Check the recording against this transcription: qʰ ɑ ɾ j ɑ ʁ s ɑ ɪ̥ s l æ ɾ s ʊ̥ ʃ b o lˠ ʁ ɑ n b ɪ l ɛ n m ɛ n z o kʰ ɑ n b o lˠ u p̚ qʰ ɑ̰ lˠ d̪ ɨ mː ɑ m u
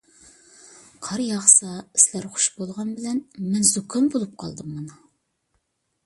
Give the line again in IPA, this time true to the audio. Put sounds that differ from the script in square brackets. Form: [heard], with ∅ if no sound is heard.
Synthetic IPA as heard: qʰ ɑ ɾ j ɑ ʁ s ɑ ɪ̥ s l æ ɾ [χ] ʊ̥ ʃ b o lˠ ʁ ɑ n b ɪ l ɛ n m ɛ n z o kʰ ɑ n b o lˠ u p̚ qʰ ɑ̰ lˠ d̪ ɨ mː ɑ [n] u